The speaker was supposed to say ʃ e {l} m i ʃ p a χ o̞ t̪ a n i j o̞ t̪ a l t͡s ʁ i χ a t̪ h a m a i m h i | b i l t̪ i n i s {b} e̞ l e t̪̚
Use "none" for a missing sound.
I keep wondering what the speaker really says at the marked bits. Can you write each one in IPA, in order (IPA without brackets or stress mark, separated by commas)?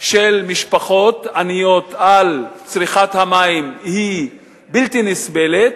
l, b